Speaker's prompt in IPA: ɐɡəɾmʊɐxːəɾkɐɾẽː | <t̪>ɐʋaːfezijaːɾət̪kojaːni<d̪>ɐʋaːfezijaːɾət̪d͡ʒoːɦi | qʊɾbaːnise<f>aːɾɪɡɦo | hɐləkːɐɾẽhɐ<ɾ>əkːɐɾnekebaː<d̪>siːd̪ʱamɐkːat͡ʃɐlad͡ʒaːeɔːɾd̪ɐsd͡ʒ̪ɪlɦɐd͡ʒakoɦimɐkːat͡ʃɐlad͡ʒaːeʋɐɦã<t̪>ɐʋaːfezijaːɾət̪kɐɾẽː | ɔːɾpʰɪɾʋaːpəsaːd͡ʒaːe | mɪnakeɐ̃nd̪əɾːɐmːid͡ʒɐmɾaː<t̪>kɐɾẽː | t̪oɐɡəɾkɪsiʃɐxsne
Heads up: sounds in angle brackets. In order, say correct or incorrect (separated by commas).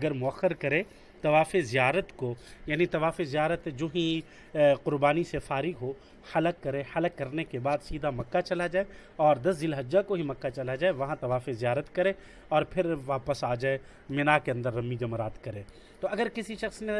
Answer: correct, incorrect, correct, incorrect, correct, correct, correct